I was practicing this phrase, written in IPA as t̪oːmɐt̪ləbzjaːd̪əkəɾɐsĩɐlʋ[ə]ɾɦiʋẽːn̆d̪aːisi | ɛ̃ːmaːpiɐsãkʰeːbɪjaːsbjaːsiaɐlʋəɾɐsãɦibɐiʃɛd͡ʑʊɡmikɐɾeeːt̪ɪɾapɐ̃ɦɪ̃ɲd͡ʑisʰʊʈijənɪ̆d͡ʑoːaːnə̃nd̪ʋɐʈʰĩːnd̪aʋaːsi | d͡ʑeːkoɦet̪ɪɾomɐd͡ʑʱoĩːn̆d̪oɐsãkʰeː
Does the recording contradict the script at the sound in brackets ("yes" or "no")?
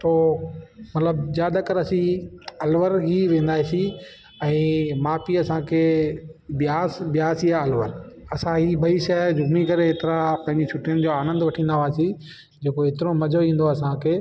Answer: no